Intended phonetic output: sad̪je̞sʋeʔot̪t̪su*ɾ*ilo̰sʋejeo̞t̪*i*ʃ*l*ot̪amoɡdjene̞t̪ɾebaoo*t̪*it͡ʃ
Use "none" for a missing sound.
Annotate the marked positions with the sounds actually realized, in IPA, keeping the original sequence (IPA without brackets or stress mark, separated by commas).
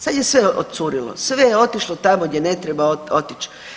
ɾ, i, l, t̪